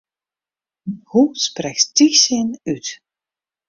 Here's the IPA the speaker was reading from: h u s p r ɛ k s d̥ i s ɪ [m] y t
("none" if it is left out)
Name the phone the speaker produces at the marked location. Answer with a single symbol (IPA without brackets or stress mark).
n